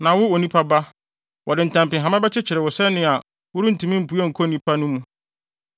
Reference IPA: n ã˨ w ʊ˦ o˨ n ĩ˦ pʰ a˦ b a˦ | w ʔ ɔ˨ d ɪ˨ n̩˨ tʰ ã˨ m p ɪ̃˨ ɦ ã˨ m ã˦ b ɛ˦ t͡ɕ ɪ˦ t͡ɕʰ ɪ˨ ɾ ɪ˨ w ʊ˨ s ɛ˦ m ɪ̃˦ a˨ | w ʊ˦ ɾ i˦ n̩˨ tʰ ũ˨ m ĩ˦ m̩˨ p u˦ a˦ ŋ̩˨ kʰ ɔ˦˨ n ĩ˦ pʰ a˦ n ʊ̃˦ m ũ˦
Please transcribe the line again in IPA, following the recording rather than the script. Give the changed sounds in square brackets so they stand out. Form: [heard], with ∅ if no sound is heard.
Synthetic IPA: n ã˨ w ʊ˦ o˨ n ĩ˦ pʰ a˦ b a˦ | w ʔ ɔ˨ d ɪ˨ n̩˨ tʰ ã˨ m p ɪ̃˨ ɦ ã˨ m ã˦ b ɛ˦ t͡ɕ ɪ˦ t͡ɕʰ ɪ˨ ɾ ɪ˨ w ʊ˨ s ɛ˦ [n] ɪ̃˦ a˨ | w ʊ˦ ɾ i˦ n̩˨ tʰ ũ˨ m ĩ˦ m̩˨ p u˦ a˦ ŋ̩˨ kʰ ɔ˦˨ n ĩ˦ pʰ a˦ n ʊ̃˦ m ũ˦